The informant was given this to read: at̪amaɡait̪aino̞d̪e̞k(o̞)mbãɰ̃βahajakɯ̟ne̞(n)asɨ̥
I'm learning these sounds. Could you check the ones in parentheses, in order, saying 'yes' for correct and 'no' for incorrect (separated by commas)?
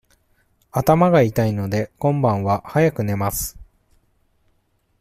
no, no